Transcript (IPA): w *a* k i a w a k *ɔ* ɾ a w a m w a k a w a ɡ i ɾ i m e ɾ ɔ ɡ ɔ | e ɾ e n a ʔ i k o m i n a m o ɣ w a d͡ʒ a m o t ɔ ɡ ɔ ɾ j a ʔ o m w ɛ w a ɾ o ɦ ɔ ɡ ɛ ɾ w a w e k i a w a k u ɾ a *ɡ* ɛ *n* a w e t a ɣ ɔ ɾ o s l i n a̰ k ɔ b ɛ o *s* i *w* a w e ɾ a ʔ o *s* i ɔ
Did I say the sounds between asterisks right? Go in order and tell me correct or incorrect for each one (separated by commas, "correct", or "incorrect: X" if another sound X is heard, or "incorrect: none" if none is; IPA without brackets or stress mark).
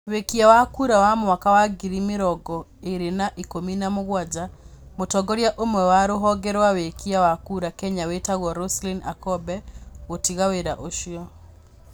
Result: incorrect: e, incorrect: u, incorrect: k, incorrect: ɲ, incorrect: t, incorrect: ɣ, incorrect: ʃ